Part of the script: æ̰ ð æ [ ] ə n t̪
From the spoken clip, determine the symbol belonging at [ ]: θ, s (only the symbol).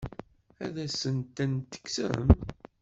s